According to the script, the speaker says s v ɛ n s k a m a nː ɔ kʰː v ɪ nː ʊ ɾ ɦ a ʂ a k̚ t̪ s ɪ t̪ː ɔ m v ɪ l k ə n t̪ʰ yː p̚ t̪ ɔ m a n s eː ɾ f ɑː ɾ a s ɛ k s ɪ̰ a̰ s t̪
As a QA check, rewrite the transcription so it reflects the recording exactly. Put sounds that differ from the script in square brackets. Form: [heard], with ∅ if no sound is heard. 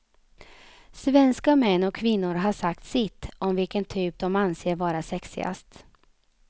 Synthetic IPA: s v ɛ n s k a m [ɛ] nː ɔ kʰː v ɪ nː ʊ ɾ ɦ a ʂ a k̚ t̪ s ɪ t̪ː ɔ m v ɪ l k ə n t̪ʰ yː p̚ [d̪] ɔ m a n s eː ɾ [v] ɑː ɾ a s ɛ k s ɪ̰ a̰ s t̪

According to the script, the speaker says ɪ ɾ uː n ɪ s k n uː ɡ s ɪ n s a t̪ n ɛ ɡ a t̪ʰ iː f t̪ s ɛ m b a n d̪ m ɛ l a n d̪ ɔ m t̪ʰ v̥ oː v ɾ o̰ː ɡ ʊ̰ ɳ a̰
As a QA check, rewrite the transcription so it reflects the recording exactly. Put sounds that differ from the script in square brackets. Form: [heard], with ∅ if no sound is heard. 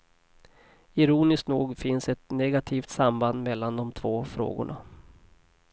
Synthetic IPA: ɪ ɾ uː n ɪ s k n uː ɡ [f] ɪ n s [ɛ] t̪ n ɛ ɡ a t̪ʰ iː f t̪ s [a] m b a n d̪ m ɛ [lː] a n d̪ ɔ m t̪ʰ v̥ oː [f] ɾ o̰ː ɡ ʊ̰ ɳ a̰

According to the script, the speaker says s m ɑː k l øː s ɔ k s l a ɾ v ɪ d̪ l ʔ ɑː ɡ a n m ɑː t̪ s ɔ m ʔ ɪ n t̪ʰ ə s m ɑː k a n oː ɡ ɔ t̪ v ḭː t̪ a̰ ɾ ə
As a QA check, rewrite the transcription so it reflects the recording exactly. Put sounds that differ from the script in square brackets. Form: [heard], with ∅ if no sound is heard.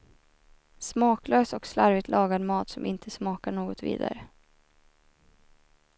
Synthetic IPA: s m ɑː k l øː s ɔ k s l a ɾ v ɪ [t̪] l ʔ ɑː ɡ a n m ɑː t̪ s ɔ m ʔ ɪ n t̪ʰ ə s m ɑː k a [ɳ] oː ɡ ɔ t̪ v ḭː [d̪] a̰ ɾ ə

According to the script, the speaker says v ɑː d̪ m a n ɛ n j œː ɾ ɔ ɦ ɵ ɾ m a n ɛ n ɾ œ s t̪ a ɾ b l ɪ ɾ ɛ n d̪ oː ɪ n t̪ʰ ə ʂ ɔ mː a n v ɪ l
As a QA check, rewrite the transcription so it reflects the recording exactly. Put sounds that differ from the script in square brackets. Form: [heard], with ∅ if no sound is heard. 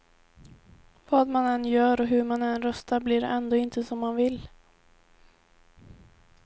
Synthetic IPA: v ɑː d̪ m a n ɛ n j œː ɾ ɔ ɦ ɵ ɾ m a n ɛ n ɾ œ s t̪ a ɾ b l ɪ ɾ ɛ n d̪ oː ɪ n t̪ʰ ə [s] ɔ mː a n v ɪ l

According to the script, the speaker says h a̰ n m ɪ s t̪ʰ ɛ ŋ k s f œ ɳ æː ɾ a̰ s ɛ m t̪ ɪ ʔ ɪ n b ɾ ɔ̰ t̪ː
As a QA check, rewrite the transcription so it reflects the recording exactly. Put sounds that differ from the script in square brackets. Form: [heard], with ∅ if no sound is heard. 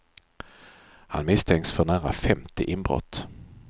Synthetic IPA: h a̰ n m ɪ s t̪ʰ ɛ ŋ k s f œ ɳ æː ɾ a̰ [f] ɛ m t̪ ɪ ʔ ɪ n b ɾ ɔ̰ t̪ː

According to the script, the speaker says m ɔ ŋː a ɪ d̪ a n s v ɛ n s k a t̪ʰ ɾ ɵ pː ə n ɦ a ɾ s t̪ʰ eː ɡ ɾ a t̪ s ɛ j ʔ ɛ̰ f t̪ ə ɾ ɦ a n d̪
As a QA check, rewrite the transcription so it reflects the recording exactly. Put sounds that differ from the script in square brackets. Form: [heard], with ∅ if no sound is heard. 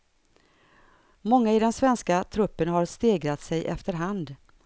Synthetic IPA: m ɔ ŋː a ɪ d̪ [ɛ] n s v ɛ n s k a t̪ʰ ɾ ɵ pː ə n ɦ a ɾ s [t̪] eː ɡ ɾ a t̪ s ɛ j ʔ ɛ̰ f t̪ ə ɾ ɦ a n d̪

